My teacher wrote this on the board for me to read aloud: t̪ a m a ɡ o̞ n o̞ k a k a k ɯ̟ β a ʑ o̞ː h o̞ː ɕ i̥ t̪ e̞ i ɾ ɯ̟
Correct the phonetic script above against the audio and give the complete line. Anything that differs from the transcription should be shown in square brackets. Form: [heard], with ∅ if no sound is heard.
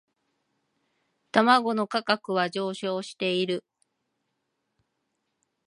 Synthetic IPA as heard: t̪ a m a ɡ o̞ n o̞ k a k a k ɯ̟ β a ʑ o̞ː [ɕ] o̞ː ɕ i̥ t̪ e̞ i ɾ ɯ̟